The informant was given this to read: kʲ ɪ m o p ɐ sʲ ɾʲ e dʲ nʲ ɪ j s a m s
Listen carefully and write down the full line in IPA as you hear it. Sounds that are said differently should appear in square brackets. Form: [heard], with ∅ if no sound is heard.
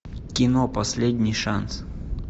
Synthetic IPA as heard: kʲ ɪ [n] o p ɐ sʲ [lʲ] e dʲ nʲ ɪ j [ʂ] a [n] s